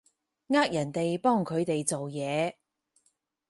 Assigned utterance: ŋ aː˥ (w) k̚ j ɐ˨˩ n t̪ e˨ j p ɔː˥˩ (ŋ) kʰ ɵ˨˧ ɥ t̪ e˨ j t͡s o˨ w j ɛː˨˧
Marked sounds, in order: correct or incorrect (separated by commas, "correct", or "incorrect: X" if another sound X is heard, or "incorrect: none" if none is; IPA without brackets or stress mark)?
incorrect: none, correct